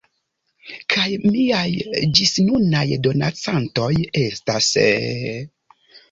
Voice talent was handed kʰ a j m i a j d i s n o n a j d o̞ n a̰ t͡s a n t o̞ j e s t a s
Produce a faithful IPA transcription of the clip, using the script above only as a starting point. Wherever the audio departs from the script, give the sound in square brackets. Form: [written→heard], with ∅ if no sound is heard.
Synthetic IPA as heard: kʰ a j m i a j [d→d͡ʒ] i s n [o→u] n a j d o̞ n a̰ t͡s a n t o̞ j e s t a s